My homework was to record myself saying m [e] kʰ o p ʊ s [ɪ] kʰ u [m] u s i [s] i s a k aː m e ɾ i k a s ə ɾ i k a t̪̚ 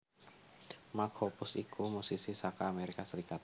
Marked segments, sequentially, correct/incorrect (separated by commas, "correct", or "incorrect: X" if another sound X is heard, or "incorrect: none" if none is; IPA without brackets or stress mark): incorrect: a, incorrect: i, correct, correct